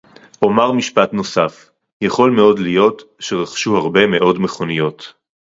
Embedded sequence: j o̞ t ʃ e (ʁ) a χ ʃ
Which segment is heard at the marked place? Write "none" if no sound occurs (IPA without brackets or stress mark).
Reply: ʁ